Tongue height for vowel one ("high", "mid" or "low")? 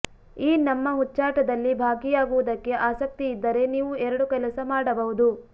high